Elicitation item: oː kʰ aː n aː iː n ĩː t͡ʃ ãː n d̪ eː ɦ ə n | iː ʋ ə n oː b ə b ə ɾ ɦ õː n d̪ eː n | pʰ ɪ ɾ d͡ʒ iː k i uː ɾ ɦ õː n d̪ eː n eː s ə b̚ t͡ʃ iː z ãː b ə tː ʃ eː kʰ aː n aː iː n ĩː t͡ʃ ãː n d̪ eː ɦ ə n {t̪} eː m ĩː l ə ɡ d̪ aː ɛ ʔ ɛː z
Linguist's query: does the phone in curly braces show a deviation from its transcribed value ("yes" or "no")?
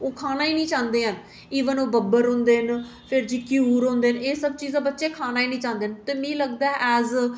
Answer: no